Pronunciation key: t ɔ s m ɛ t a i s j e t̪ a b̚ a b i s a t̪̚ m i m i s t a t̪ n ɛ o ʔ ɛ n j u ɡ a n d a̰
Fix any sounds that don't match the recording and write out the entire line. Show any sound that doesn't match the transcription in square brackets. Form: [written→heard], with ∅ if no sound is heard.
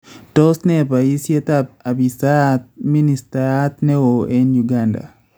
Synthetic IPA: t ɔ s [m→n] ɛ [t→p] a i s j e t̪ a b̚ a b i s a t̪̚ m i [m→n] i s t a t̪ n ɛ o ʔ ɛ n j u ɡ a n d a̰